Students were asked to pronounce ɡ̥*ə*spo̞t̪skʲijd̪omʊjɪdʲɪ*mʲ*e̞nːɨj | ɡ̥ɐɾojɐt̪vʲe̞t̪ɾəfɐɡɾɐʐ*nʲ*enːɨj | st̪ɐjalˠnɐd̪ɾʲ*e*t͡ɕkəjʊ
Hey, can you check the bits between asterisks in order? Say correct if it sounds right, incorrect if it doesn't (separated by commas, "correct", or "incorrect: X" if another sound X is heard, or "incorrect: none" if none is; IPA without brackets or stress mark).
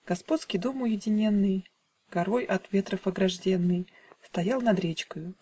incorrect: ɐ, incorrect: nʲ, incorrect: dʲ, correct